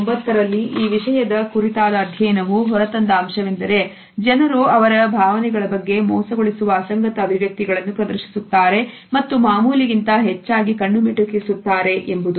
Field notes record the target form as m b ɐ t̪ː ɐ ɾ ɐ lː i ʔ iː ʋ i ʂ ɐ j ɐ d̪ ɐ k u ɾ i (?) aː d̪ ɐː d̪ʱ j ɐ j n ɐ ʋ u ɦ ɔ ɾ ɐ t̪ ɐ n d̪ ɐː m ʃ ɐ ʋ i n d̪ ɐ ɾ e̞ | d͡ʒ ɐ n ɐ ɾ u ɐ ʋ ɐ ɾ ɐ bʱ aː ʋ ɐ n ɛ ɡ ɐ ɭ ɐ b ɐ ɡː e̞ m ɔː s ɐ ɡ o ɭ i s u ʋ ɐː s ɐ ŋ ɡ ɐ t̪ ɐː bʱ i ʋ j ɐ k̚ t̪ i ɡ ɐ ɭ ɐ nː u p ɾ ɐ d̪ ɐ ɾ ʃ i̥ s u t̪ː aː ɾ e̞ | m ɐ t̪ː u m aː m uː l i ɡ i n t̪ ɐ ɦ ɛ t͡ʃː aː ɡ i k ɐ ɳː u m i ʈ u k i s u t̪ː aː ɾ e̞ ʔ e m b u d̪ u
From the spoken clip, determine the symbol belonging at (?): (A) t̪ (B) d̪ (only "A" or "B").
A